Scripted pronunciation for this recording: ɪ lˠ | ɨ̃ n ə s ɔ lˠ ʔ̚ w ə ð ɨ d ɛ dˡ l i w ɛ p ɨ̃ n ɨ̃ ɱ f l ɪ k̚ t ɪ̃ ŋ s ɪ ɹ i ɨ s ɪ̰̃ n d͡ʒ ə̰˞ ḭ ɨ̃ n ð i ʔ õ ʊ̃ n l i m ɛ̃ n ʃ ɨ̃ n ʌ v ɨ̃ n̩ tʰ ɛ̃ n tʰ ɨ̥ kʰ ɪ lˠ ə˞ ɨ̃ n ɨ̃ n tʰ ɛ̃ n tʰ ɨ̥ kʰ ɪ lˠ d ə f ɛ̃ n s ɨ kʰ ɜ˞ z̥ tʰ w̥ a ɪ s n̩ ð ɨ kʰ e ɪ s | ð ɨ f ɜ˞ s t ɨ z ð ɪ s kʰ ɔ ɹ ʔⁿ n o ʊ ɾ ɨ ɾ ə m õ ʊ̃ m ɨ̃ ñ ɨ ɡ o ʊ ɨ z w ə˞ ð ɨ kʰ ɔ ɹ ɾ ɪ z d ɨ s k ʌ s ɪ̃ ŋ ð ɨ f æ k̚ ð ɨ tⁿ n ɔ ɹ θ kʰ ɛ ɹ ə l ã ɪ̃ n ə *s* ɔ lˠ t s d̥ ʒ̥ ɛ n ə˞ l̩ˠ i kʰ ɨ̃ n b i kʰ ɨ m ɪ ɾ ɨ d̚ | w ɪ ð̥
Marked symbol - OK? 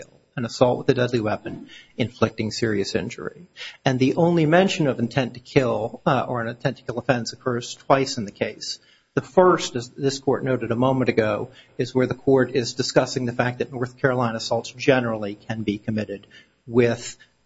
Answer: yes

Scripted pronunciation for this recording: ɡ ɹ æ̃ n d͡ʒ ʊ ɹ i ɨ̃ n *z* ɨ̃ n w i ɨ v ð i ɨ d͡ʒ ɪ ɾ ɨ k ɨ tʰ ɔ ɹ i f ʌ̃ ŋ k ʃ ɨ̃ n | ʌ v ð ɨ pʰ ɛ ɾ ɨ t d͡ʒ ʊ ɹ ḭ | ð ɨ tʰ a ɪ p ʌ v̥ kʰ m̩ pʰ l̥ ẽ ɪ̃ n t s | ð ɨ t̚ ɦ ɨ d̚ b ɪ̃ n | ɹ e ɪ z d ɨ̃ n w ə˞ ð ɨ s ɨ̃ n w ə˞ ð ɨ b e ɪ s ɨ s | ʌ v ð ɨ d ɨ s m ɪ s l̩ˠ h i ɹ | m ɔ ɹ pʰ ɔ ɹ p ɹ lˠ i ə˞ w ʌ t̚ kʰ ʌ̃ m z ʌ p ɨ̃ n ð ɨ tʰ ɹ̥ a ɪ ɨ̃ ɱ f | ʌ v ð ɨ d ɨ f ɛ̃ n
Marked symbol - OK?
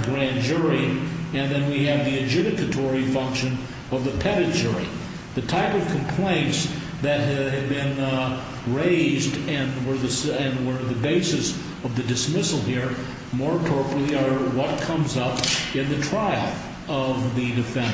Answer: no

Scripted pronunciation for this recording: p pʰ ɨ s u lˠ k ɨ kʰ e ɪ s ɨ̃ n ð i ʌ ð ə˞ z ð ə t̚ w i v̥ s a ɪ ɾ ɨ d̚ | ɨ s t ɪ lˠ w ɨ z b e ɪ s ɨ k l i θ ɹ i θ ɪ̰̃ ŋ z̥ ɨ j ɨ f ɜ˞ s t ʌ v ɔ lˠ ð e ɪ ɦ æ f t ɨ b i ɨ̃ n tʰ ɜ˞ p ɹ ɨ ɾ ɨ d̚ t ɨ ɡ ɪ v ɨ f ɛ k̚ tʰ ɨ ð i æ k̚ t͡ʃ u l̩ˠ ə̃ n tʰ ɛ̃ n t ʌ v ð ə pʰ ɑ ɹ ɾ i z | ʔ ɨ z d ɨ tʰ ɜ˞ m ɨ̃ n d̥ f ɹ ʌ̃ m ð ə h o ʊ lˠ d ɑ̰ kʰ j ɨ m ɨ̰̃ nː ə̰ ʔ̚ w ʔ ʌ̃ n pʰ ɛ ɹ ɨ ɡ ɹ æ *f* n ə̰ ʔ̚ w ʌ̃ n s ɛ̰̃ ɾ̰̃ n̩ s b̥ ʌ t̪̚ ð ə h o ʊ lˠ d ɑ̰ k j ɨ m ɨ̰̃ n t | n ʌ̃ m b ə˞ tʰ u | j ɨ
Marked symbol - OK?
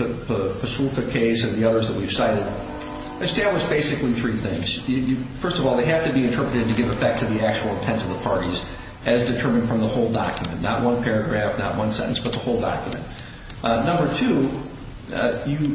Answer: yes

